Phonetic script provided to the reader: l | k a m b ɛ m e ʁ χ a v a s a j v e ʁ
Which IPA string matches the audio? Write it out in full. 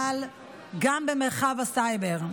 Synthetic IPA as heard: l | ɡ a m b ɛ m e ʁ χ a v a s a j b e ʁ